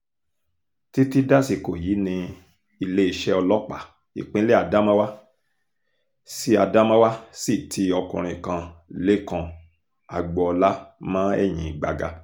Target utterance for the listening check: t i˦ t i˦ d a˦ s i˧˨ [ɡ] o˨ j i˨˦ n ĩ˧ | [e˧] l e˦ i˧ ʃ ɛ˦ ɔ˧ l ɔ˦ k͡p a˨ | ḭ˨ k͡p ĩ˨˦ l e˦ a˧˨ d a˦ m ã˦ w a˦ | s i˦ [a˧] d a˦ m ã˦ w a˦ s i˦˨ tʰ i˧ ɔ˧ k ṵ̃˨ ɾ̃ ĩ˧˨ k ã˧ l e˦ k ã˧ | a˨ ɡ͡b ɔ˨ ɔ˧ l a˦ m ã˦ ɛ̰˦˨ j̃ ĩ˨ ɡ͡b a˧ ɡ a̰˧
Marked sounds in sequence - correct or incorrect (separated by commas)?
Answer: incorrect, incorrect, correct